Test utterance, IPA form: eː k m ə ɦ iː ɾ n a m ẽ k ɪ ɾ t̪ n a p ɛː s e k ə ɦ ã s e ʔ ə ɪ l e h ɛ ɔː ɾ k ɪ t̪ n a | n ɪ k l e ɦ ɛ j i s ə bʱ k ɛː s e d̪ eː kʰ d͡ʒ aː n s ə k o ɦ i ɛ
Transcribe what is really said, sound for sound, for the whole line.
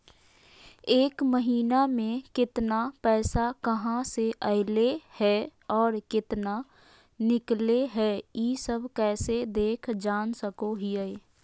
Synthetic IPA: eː k m ə ɦ iː n a m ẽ k ɪ t̪ n a p ɛː s a k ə ɦ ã s e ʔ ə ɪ l e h ɛ ɔː ɾ k ɪ t̪ n a | n ɪ k l e ɦ ɛ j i s ə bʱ k ɛː s e d̪ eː kʰ d͡ʒ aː n s ə k o ɦ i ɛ

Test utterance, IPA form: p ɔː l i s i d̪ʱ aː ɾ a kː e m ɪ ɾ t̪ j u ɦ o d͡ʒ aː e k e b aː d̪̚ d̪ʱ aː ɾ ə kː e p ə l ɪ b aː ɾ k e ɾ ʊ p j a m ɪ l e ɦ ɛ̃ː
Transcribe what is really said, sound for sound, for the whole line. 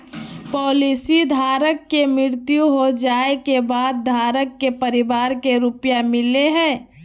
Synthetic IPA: p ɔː l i s i d̪ʱ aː ɾ ə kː e m ɪ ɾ t̪ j u ɦ o d͡ʒ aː e k e b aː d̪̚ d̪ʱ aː ɾ ə kː e p ə ɾ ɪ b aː ɾ k e ɾ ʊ p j a m ɪ l e ɦ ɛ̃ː

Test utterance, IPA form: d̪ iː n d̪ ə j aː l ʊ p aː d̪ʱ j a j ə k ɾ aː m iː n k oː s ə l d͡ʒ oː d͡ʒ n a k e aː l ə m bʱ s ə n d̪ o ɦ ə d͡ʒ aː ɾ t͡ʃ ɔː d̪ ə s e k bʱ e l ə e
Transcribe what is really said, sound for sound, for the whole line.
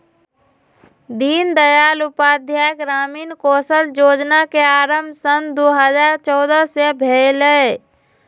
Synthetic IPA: d̪ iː n d̪ ə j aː l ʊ p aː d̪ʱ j a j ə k ɾ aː m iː n k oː s ə l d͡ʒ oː d͡ʒ n a k e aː ɾ ə m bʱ s ə n d̪ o ɦ ə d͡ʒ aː ɾ t͡ʃ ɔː d̪ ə s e bʱ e l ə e

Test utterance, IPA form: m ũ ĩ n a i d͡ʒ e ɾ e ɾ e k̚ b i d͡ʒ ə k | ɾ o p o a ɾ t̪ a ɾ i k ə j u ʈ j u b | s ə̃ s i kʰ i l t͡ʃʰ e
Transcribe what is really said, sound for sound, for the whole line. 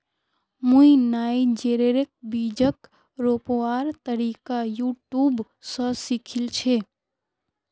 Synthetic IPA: m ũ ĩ n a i d͡ʒ e ɾ e ɾ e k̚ b i d͡ʒ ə k | ɾ o p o a ɾ t̪ ə ɾ i k a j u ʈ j u b | s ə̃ s i kʰ i l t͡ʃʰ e

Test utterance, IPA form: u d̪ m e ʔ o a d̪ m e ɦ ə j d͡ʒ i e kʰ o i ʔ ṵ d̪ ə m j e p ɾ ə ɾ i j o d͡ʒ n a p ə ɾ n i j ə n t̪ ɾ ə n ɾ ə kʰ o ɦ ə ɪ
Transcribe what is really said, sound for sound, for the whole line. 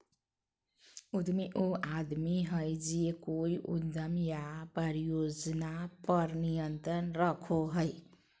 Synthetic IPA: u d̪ m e ʔ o a d̪ m i ɦ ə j d͡ʒ i e k o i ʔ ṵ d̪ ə m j a p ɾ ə ɾ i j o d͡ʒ n a p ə ɾ n i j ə n t̪ ɾ ə n ɾ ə kʰ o ɦ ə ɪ

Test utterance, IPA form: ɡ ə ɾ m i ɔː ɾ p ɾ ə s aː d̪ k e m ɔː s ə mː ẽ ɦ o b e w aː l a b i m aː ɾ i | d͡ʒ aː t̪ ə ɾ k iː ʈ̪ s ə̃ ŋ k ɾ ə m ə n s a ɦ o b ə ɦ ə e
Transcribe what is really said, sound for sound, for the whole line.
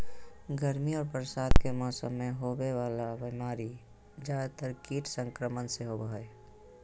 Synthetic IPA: ɡ ə ɾ m i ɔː ɾ p ɾ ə s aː d̪ k e m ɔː s ə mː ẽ ɦ o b e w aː l a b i m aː ɾ i | d͡ʒ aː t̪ ə ɾ k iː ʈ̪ s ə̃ ŋ k ɾ ə m ə n s e ɦ o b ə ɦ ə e

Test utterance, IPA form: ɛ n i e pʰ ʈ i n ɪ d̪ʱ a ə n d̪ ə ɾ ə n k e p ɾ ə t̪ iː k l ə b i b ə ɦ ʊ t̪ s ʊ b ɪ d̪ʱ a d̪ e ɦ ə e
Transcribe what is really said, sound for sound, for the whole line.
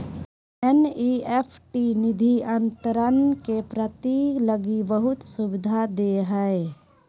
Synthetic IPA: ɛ n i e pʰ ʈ i n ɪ d̪ʱ i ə n t̪ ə ɾ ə n k e p ɾ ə t̪ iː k l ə ɡ i b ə ɦ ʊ t̪ s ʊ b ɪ d̪ʱ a d̪ e ɦ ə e

